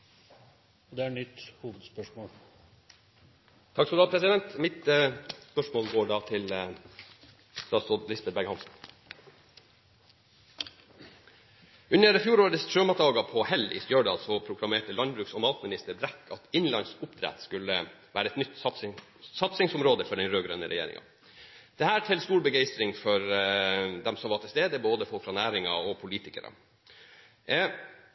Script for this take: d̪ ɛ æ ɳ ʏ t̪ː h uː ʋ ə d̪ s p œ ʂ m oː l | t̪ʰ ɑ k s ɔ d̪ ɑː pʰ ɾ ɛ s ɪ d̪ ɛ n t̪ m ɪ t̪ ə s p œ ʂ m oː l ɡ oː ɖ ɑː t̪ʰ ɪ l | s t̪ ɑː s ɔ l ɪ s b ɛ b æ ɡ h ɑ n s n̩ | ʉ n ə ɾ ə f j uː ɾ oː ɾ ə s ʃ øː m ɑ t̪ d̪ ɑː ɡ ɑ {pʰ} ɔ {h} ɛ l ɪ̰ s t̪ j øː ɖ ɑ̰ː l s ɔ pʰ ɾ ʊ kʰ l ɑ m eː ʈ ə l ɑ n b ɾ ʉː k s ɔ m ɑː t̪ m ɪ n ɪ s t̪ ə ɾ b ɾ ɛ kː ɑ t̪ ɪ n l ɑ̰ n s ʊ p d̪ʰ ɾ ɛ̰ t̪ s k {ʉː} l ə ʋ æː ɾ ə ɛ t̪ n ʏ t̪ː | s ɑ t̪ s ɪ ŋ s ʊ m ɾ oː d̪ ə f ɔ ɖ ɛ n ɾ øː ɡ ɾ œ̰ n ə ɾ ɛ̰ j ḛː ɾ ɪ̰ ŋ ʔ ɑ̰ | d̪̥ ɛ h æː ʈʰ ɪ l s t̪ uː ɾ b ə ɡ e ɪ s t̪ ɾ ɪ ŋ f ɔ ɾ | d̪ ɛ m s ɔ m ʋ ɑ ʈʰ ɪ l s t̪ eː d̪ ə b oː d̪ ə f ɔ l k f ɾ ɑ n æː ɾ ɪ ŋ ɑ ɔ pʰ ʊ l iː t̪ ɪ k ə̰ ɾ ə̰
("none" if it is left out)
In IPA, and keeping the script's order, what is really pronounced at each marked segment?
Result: pʰ, h, ʉ

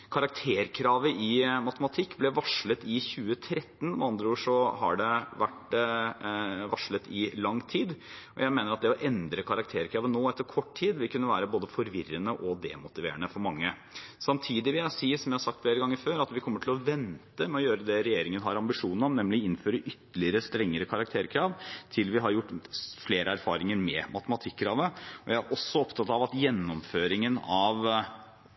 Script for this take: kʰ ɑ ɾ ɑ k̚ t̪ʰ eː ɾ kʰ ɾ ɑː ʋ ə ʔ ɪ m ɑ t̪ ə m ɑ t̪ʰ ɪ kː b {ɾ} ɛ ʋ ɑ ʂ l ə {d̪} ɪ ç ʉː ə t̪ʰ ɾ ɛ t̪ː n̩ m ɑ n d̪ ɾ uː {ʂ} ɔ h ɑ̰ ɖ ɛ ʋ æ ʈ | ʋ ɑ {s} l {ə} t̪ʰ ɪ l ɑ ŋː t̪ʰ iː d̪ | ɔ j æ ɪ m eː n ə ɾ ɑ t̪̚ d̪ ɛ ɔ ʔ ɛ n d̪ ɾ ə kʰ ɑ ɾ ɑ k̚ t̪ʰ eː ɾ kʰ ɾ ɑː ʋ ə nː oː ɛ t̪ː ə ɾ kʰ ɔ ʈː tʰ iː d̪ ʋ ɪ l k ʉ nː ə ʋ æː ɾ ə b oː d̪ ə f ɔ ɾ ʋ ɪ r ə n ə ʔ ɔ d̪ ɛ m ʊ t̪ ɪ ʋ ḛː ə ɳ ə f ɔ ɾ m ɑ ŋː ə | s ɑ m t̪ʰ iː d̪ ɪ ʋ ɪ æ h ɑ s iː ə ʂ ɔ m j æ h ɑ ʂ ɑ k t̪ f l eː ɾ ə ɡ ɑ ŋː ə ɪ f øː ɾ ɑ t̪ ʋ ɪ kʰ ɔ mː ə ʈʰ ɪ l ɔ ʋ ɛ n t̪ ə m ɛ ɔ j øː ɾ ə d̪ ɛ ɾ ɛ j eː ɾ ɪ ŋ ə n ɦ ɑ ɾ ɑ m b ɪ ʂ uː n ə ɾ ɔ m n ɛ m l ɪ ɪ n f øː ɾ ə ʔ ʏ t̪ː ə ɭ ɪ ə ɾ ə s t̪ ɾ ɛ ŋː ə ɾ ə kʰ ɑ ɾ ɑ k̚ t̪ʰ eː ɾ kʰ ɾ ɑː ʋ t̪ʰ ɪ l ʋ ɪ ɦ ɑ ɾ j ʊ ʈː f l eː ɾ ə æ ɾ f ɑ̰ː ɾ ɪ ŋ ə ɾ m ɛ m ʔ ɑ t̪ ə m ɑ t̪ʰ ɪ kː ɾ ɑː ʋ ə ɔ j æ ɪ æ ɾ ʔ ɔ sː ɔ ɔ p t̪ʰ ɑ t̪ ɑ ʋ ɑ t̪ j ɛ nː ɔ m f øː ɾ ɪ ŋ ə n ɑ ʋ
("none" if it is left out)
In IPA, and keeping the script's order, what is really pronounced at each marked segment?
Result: l, t̪, ʂ, ʂ, ə

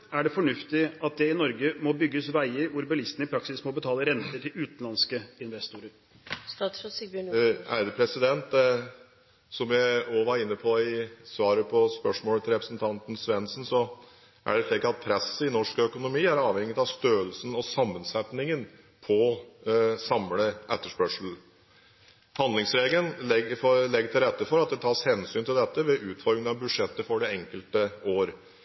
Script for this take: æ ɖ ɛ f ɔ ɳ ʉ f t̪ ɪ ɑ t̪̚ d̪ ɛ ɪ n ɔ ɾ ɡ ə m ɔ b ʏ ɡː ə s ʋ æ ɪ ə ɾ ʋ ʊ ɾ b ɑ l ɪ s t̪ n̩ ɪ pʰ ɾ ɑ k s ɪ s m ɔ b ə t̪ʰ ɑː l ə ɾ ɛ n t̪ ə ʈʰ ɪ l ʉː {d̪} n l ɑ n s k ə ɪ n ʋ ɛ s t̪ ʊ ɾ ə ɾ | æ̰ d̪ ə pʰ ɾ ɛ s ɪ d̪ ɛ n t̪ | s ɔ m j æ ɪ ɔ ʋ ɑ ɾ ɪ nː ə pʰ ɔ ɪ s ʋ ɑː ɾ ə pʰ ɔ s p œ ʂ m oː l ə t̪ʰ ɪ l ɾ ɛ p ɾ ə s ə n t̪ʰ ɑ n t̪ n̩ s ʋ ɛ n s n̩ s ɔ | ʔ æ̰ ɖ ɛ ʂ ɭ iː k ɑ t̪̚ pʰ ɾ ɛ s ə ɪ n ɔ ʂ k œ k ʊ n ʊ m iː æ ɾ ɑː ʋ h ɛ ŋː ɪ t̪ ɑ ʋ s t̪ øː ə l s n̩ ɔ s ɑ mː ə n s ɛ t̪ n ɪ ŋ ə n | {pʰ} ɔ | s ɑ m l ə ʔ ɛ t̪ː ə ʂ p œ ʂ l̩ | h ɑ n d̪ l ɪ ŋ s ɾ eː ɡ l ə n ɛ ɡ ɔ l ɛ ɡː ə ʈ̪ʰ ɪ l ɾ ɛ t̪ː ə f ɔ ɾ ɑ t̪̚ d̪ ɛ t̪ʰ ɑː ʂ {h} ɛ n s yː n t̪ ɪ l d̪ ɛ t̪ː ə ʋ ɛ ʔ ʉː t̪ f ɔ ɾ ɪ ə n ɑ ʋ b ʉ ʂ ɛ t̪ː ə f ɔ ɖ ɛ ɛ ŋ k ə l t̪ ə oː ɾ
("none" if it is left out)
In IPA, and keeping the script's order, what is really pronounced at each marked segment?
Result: t̪, pʰ, h

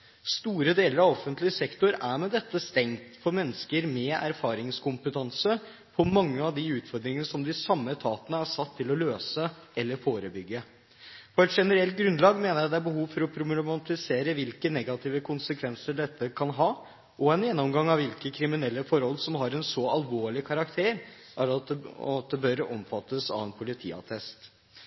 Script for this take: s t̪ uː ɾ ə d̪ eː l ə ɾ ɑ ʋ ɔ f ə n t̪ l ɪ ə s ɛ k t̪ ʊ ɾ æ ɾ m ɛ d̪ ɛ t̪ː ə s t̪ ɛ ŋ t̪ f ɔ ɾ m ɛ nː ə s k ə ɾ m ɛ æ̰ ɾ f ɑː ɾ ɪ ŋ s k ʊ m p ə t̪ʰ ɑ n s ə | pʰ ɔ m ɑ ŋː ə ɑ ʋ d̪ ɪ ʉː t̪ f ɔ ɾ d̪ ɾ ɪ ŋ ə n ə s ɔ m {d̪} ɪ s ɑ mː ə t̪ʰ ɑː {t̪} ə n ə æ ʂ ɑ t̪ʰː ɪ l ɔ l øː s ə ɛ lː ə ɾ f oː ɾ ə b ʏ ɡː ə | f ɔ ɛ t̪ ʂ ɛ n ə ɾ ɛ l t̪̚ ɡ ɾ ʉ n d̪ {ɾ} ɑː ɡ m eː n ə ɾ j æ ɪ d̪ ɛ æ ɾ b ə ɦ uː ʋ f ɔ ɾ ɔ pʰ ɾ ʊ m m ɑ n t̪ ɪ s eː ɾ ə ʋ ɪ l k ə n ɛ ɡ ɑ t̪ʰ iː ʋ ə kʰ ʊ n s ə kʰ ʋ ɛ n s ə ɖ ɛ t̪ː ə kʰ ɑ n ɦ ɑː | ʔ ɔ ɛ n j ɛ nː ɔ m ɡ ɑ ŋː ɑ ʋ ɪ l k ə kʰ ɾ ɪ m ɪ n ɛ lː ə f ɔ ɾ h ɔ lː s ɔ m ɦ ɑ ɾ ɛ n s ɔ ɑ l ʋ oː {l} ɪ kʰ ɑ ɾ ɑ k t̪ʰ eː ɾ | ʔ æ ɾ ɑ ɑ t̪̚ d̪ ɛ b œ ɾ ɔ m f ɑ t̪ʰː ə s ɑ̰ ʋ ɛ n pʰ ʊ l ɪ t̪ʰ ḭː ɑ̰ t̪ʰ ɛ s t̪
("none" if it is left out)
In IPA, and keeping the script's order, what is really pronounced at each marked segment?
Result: d̪, t̪, l, ɭ

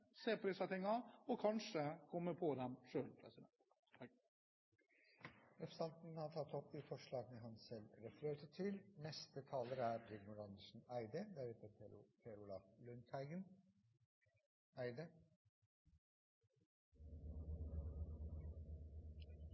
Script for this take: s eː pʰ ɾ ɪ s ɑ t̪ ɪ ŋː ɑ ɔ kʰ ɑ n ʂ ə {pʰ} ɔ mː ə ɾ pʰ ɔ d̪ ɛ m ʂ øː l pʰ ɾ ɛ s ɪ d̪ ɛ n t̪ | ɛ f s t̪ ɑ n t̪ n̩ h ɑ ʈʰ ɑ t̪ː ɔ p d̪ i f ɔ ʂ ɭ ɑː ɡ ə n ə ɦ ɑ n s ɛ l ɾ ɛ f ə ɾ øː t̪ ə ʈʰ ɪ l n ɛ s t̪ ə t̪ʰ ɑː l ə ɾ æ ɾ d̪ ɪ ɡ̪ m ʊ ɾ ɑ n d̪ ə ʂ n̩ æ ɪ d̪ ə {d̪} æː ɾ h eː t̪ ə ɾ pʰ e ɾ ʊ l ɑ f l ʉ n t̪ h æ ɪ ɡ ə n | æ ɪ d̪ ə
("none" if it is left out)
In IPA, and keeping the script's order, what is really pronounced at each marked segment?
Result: kʰ, d̪

